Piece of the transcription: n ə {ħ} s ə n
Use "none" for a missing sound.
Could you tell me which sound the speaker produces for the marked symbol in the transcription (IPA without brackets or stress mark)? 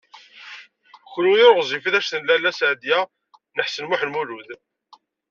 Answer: ħ